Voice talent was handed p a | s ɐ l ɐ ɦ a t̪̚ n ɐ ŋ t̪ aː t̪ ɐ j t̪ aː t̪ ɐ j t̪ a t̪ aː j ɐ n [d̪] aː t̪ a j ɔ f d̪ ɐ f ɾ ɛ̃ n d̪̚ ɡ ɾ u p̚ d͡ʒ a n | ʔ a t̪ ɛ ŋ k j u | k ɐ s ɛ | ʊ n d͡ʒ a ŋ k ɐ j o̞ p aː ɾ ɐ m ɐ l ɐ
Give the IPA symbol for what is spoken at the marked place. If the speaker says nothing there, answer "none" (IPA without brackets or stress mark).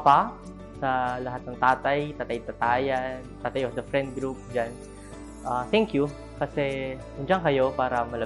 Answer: t̪